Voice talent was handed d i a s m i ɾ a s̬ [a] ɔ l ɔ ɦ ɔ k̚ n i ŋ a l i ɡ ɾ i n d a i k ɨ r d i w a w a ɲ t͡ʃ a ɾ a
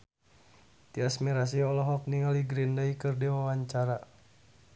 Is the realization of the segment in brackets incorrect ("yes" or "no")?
yes